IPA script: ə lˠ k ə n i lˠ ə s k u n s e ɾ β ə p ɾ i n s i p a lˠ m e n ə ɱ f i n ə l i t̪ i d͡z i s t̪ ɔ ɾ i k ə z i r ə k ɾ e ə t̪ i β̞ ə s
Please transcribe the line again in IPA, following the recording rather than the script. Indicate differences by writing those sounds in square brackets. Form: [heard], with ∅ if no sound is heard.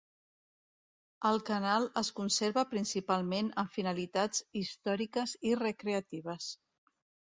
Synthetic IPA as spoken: ə lˠ k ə n [a] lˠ ə s k u n s e ɾ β ə p ɾ i n s i p a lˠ m e n ə ɱ f i n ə l i t̪ [a] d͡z i s t̪ ɔ ɾ i k ə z i r ə k ɾ e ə t̪ i β̞ ə s